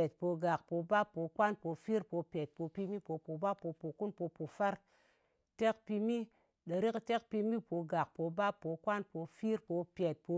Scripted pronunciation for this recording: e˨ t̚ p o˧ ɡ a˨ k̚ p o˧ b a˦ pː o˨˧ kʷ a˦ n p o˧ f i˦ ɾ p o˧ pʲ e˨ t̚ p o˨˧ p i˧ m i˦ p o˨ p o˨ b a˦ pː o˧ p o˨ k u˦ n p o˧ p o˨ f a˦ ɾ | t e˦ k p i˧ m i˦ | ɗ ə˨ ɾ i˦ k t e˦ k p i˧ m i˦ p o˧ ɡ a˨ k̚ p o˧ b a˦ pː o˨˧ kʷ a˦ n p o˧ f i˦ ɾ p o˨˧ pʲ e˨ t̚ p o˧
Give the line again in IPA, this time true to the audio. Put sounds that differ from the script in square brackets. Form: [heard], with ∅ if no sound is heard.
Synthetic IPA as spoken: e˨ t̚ p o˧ ɡ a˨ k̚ p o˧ b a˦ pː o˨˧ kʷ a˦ n p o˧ f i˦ ɾ p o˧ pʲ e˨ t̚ p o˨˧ p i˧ m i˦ p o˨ p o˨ b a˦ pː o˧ p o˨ k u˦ n p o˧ p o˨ f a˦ ɾ | t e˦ k p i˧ m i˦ | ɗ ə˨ ɾ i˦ k t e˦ k p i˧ m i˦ p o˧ ɡ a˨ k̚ p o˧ b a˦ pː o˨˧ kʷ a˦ n p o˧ f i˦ ɾ p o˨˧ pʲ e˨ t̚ p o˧